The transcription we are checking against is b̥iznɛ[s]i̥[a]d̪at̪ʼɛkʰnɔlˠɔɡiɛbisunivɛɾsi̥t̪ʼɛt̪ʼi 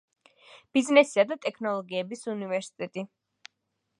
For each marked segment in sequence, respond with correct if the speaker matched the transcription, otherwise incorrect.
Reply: correct, correct

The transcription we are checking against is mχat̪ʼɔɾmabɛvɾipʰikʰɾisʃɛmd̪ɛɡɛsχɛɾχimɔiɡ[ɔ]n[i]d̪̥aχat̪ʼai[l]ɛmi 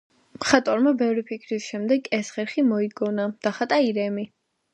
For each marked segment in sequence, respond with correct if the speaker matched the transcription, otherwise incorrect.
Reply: correct, incorrect, incorrect

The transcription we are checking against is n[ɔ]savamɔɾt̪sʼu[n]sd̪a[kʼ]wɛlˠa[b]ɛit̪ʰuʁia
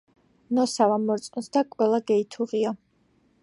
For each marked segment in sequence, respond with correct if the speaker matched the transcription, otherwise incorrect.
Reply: correct, correct, correct, incorrect

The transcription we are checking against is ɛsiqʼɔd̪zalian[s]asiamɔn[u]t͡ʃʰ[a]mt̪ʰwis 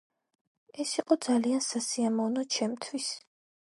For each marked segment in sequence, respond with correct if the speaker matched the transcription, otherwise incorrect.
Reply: correct, incorrect, incorrect

